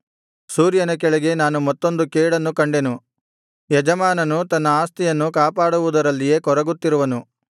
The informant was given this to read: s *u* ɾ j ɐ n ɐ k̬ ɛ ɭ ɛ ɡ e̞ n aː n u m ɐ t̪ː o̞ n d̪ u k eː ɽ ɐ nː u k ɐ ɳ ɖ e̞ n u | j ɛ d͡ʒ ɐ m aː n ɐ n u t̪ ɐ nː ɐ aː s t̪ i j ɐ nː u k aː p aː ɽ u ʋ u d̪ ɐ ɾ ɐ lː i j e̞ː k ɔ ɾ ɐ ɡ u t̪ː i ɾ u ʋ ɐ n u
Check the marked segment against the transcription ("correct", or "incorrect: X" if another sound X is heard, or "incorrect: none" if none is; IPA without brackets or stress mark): incorrect: uː